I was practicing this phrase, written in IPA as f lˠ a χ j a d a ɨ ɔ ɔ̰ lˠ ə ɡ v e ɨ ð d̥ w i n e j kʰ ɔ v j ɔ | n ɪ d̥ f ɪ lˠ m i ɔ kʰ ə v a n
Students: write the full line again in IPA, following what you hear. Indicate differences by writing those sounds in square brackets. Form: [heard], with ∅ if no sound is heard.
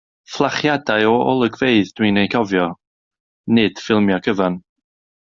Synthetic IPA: f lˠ a χ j a d a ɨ ɔ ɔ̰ lˠ ə ɡ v e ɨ ð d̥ w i n e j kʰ ɔ v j ɔ | n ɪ d̥ f ɪ lˠ m [j] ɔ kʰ ə v a n